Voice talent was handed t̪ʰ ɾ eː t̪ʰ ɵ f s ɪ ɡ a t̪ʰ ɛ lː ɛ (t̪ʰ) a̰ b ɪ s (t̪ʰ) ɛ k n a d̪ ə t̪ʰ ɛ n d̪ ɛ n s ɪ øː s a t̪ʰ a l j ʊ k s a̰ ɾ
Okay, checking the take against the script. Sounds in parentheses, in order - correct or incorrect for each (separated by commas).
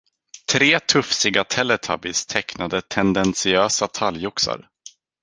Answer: correct, correct